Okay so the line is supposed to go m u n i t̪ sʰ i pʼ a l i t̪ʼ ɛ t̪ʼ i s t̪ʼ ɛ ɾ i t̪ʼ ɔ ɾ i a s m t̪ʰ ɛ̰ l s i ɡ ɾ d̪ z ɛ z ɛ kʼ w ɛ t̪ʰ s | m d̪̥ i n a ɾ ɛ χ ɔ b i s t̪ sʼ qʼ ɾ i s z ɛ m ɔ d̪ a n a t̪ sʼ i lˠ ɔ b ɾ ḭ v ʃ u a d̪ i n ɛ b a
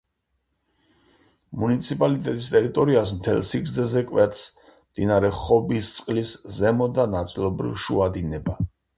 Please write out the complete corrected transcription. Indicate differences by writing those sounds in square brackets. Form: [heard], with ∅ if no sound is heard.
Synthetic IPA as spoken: m u n i t̪ sʰ i pʼ a l i t̪ʼ ɛ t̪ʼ i s t̪ʼ ɛ ɾ i t̪ʼ ɔ ɾ i a s m t̪ʰ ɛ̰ l s i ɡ ɾ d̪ z ɛ z ɛ kʼ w ɛ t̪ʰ s | m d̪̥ i n a ɾ ɛ χ ɔ b i s t̪ sʼ qʼ [l] i s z ɛ m ɔ d̪ a n a t̪ sʼ i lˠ ɔ b ɾ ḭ v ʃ u a d̪ i n ɛ b a